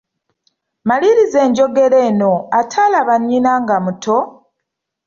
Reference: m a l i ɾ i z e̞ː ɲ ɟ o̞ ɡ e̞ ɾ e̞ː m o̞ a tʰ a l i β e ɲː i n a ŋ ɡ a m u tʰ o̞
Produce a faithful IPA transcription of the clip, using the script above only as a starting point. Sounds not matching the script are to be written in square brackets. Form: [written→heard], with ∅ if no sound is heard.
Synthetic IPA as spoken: m a l i ɾ i z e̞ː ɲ ɟ o̞ ɡ e̞ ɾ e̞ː [m→n] o̞ a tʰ a l [i→a] β [e→a] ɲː i n a ŋ ɡ a m u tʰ o̞

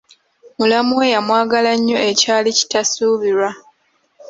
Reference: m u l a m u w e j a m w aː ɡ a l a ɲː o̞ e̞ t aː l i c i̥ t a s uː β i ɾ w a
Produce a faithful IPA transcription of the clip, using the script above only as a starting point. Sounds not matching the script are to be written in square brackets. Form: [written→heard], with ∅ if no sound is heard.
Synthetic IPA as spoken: m u l a m u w e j a m w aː ɡ a l a ɲː o̞ e̞ [t→c] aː l i c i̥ t a s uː β i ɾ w a

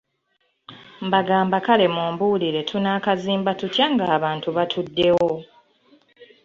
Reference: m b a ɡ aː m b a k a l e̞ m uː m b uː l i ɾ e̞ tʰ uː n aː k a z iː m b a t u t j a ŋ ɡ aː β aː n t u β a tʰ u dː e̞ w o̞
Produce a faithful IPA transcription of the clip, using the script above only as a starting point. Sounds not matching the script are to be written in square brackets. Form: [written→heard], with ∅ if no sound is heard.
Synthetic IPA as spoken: m b a ɡ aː m b a k a l e̞ m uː m b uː l i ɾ e̞ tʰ [uː→u] n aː k a z iː m b a t u t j a ŋ ɡ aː β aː n t u β a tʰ u dː e̞ w o̞

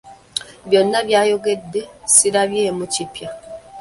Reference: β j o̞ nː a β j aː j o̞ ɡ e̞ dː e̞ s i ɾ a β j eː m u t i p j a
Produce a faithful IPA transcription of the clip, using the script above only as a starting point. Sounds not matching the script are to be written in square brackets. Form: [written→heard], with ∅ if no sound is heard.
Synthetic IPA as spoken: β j o̞ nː a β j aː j o̞ ɡ e̞ dː e̞ s i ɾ a β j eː m u [t→c] i p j a

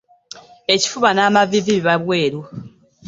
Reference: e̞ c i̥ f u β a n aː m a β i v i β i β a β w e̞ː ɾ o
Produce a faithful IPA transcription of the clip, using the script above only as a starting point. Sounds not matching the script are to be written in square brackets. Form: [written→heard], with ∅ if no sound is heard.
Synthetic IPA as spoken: e̞ c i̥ f u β a n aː m a [β→v] i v i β i β a β w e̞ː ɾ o

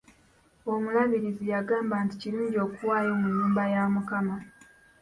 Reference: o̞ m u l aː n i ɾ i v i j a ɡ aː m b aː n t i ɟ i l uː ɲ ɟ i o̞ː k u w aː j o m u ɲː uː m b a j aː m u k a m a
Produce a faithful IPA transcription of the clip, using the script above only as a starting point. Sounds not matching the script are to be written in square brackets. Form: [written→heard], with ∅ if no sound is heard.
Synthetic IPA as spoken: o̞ m u l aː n i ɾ i [v→z] i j a ɡ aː m b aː n t i [ɟ→c] i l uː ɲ ɟ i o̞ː k u w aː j o m u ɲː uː m b a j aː m u k a m a

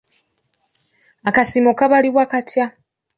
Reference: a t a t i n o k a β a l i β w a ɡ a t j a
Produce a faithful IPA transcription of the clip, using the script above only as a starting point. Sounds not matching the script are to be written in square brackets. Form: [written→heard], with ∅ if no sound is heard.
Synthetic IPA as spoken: a [t→k] a [t→s] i [n→m] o k a β a l i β w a [ɡ→k] a t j a

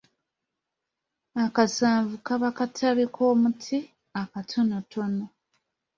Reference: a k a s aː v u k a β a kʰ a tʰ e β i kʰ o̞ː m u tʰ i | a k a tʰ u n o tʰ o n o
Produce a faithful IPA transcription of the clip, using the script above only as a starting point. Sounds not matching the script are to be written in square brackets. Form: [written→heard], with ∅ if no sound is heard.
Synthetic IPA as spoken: a k a s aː v u k a β a [kʰ→k] a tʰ [e→a] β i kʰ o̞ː m u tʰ i | a k a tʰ [u→o] n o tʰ o n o

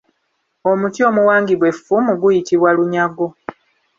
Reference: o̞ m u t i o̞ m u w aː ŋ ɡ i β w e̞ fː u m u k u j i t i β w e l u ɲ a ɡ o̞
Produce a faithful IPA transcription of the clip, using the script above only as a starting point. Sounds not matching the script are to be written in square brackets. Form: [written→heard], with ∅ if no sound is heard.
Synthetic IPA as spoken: o̞ m u t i o̞ m u w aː ŋ ɡ i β w e̞ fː u m u [k→ɡ] u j i t i β w [e→a] l u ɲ a ɡ o̞

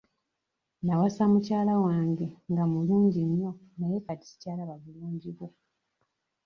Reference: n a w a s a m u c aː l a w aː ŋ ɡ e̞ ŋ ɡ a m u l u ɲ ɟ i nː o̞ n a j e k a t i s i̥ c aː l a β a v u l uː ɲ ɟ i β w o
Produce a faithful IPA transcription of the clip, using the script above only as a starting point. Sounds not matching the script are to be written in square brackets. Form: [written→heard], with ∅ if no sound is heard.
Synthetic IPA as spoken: n a w a s a m u c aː l a w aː ŋ ɡ e̞ ŋ ɡ a m u l [u→uː] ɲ ɟ i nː o̞ n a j e k a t i s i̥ c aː l a β a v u l uː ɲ ɟ i β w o

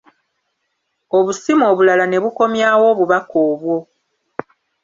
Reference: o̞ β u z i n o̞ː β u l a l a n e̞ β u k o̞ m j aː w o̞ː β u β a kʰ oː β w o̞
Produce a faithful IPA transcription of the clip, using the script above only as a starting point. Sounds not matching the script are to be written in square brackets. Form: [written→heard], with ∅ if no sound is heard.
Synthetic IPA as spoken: o̞ β u [z→s] i [n→m] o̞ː β u l a l a n e̞ β u k o̞ m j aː w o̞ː β u β a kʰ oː β w o̞

